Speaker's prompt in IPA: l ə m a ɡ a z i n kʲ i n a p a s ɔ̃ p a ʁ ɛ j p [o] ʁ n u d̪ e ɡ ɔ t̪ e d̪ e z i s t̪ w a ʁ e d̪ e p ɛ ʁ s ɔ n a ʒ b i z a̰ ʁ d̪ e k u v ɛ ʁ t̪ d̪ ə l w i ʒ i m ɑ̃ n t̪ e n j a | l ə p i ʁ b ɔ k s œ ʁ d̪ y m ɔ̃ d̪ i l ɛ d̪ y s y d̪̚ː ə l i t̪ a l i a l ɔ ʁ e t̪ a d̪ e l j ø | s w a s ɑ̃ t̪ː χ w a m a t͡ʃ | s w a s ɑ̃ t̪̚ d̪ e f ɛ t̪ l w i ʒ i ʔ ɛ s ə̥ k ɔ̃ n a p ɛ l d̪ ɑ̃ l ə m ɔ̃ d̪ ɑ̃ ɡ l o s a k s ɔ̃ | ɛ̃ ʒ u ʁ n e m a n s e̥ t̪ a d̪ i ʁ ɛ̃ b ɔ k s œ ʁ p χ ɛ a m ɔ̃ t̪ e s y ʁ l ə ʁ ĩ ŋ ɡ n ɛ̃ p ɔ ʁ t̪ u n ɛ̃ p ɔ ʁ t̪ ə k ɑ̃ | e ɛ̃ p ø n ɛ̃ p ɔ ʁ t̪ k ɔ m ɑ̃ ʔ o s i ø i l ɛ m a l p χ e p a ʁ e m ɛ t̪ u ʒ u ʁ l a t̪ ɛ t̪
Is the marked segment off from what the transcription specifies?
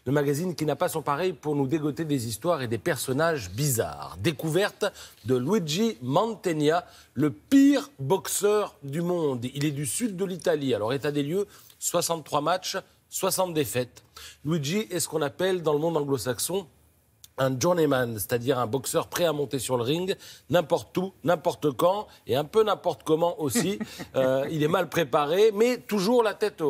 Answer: yes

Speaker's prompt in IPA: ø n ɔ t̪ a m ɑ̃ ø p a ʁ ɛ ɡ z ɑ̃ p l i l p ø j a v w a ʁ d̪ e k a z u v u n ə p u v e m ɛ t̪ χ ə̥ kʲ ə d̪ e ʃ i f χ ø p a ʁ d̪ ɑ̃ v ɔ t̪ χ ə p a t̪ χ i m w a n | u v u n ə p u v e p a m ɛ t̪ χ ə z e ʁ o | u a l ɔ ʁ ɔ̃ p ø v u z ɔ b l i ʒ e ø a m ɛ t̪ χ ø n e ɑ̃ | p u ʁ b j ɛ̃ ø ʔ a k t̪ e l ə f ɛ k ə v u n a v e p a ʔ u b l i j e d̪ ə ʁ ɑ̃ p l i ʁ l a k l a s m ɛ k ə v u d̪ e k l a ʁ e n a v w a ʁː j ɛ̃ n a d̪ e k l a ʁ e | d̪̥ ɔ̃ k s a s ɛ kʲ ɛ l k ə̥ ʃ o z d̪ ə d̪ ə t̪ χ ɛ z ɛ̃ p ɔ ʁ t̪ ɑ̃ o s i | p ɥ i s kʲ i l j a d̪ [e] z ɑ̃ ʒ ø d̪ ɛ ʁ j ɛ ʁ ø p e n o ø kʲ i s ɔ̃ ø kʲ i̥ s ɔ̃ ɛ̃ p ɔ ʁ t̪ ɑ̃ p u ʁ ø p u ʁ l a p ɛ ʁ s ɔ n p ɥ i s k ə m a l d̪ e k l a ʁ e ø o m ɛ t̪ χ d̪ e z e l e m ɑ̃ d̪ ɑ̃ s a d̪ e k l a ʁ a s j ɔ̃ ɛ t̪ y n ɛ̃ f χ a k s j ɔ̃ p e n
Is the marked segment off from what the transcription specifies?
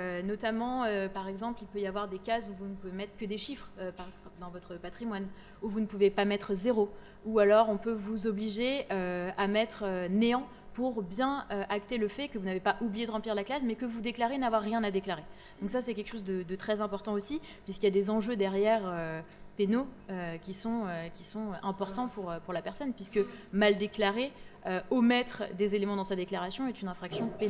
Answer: no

